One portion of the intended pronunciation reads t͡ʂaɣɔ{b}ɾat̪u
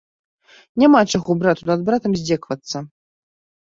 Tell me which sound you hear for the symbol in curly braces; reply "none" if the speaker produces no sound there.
b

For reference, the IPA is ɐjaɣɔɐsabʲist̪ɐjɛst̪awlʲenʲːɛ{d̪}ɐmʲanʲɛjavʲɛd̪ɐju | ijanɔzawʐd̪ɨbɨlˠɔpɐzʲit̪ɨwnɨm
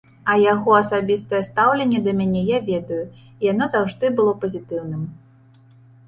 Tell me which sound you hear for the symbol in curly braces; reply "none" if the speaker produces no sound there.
d̪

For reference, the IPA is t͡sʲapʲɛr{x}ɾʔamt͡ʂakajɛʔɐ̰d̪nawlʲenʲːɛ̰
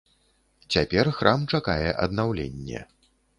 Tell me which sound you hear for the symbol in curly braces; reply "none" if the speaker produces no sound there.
x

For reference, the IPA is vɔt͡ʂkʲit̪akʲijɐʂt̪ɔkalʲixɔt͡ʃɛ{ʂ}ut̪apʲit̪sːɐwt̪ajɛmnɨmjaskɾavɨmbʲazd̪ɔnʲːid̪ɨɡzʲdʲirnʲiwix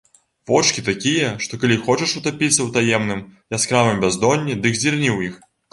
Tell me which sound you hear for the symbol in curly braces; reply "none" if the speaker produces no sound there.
ʂ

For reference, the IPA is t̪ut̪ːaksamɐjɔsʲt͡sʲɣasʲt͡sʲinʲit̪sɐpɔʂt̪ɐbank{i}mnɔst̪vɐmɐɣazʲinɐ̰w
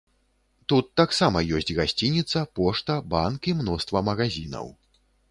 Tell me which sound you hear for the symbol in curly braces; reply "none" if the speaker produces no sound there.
i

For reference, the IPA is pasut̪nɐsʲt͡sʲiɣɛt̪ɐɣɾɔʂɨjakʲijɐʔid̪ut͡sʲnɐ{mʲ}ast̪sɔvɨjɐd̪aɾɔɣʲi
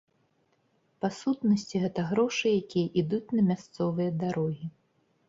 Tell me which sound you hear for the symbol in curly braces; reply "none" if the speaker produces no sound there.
mʲ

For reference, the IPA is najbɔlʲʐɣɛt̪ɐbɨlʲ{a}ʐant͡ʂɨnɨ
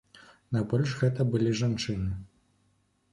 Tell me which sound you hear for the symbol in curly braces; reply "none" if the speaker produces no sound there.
i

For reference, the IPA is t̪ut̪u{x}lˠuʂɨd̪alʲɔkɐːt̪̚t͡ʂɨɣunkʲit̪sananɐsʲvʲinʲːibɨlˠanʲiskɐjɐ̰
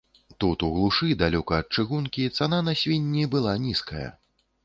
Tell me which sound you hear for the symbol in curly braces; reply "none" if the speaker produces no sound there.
ɣ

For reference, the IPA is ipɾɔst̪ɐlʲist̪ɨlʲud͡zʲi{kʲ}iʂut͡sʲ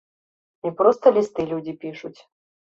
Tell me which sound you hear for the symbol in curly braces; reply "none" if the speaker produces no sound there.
pʲ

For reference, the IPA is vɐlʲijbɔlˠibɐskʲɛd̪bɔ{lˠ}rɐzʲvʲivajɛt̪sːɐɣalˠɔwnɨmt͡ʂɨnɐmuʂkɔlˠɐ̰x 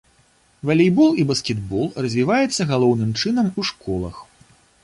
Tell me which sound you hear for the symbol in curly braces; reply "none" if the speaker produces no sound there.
lˠ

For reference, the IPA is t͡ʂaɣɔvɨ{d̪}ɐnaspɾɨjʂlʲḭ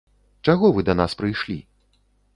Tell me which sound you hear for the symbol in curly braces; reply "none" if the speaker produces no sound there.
d̪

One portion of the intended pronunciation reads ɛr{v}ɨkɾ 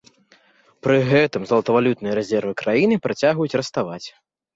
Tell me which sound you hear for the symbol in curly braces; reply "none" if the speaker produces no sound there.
v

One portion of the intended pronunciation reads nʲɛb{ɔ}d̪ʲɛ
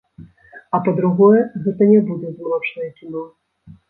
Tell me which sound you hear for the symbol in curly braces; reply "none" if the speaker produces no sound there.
u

